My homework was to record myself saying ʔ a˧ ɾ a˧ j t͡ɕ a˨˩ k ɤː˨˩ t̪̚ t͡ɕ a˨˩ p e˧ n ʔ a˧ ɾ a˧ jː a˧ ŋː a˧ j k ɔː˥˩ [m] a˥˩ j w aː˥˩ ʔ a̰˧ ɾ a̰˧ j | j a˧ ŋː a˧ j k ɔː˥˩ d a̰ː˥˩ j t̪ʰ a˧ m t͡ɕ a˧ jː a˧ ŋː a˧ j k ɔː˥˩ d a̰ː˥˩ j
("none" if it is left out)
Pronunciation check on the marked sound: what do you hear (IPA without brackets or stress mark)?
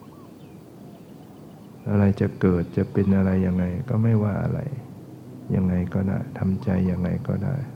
m